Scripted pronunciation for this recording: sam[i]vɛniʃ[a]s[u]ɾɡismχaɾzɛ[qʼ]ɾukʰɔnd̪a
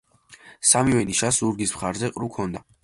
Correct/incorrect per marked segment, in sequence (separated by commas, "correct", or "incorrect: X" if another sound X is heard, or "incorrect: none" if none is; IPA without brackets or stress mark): correct, correct, correct, correct